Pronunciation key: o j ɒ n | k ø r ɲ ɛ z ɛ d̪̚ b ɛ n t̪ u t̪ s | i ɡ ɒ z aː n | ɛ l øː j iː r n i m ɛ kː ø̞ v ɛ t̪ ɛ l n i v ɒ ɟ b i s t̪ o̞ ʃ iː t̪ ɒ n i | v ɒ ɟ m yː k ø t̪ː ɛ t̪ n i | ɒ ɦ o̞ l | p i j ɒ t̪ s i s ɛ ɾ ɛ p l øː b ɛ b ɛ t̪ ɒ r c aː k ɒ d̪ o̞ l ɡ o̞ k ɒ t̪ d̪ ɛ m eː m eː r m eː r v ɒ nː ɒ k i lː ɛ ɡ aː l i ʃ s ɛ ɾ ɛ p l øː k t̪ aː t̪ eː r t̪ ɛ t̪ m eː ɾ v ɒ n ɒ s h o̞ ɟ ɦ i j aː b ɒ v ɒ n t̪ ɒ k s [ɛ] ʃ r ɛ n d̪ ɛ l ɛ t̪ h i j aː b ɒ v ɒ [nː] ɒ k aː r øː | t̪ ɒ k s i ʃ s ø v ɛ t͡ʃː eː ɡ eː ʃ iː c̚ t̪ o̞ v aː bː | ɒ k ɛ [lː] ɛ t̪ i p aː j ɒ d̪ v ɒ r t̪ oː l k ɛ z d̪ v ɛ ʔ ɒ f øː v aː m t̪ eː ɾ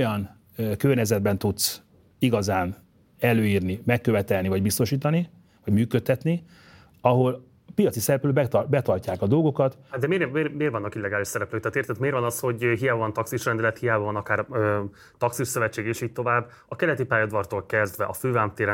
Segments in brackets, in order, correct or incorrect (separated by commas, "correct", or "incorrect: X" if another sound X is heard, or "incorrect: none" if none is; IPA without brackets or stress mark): incorrect: i, incorrect: n, incorrect: l